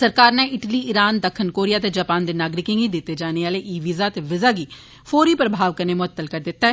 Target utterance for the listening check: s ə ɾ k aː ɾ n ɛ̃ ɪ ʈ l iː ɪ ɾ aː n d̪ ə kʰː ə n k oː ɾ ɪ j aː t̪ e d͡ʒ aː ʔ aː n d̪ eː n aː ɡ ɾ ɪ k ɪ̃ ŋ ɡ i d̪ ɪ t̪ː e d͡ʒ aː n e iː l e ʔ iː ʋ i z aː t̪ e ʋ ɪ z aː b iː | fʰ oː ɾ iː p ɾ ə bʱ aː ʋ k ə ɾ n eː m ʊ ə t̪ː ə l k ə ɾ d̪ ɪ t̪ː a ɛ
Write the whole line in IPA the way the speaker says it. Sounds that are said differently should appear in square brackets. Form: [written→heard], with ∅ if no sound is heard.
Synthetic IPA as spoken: s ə ɾ k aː ɾ n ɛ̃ ɪ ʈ l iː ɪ ɾ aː n d̪ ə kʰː ə n k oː ɾ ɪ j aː t̪ e d͡ʒ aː [ʔ→p] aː n d̪ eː n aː ɡ ɾ ɪ k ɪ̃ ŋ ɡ i d̪ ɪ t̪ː e d͡ʒ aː n e [iː→aː] l e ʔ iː ʋ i z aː t̪ e ʋ ɪ z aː [b→ɡ] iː | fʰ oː ɾ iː p ɾ ə bʱ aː ʋ k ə ɾ n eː m ʊ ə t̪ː ə l k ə ɾ d̪ ɪ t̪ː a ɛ